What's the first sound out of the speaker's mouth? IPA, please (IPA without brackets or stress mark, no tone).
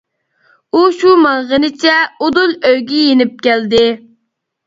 u